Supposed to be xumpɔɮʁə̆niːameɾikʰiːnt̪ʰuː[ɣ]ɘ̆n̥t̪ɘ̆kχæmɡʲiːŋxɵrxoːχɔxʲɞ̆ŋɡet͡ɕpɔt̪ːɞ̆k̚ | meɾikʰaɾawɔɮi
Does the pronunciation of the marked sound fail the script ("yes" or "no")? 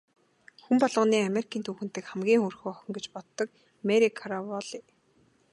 yes